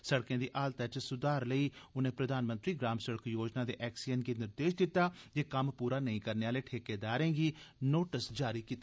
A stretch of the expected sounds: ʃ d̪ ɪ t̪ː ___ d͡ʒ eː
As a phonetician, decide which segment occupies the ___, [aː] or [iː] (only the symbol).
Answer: aː